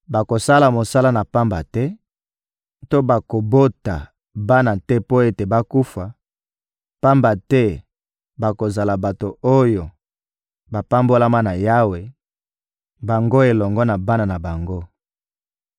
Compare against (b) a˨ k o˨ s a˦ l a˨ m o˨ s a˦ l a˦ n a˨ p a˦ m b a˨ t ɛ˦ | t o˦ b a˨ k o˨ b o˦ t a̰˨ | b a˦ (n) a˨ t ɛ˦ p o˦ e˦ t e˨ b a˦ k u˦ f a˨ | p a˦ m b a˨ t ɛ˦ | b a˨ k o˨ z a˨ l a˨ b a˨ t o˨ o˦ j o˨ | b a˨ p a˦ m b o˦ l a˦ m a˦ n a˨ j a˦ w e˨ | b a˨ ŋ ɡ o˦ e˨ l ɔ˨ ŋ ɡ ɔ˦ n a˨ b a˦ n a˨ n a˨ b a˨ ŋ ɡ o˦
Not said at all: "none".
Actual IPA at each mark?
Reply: b, n

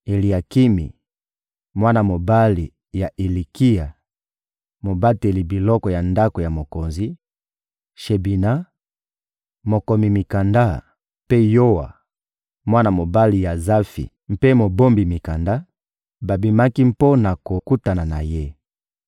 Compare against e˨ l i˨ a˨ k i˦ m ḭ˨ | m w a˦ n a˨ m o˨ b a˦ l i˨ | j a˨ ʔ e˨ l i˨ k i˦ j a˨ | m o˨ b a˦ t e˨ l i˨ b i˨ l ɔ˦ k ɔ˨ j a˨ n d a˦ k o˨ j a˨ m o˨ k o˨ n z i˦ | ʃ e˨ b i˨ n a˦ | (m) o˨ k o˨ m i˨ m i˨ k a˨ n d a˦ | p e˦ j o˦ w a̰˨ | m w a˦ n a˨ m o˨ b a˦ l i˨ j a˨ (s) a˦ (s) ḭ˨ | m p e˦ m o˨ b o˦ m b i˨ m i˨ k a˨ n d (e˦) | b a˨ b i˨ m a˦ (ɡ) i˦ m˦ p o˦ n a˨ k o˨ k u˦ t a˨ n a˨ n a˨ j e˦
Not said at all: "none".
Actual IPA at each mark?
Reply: m, z, f, a˦, k

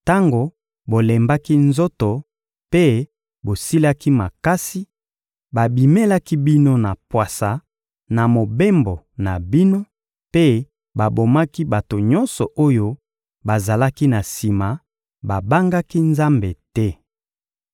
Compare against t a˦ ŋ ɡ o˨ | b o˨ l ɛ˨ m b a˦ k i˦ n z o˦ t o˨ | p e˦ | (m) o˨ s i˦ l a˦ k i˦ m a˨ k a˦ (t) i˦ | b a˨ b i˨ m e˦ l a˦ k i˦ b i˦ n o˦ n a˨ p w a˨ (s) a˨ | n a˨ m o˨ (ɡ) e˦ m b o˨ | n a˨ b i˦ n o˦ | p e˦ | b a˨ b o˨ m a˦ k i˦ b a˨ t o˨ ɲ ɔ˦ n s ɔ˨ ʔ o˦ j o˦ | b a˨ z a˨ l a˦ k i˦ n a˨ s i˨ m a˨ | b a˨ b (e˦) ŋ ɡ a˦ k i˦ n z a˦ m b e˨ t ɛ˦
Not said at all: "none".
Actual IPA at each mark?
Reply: b, s, s, b, a˦

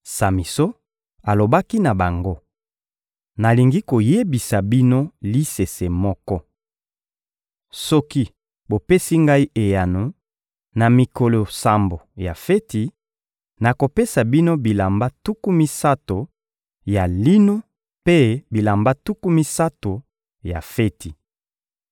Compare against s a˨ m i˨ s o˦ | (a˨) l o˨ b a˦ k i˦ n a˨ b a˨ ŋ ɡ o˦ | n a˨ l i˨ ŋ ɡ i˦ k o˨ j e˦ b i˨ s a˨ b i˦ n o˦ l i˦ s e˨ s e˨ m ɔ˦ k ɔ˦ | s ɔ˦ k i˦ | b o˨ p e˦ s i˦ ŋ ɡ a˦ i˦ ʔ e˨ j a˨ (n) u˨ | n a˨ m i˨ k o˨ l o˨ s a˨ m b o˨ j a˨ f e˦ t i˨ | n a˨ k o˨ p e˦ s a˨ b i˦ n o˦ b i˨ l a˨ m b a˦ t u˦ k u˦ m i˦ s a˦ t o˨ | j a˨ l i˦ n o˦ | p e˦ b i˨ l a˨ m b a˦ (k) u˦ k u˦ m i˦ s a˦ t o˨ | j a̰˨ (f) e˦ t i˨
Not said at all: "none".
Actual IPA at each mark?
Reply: a˨, n, t, f

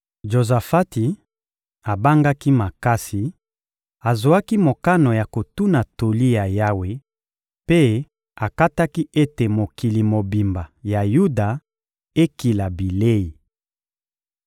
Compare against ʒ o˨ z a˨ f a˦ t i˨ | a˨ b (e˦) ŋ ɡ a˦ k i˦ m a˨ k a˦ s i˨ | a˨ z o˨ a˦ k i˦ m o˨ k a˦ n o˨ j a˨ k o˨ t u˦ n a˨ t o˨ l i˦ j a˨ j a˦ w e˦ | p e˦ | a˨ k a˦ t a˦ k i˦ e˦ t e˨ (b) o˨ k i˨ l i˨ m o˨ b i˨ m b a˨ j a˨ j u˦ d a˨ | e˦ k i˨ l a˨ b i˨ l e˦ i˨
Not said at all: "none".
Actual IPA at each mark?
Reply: a˦, m

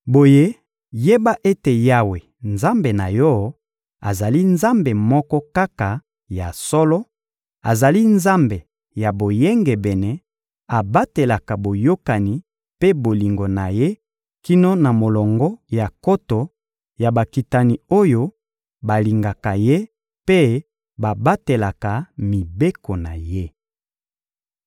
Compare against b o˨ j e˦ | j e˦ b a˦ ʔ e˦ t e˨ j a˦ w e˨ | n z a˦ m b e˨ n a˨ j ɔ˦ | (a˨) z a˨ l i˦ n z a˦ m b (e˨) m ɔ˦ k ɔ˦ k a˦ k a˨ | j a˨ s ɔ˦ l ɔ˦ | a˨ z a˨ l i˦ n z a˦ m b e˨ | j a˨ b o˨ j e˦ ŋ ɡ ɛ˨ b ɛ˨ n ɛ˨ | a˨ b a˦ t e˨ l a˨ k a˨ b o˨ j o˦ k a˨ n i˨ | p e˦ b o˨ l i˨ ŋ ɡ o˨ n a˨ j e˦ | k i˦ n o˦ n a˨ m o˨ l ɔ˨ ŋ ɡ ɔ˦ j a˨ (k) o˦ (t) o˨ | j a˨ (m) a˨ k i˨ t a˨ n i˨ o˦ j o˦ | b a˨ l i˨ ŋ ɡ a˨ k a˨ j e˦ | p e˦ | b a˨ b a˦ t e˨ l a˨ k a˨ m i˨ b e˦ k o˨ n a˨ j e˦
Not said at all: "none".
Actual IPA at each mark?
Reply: a˨, e˨, k, t, b

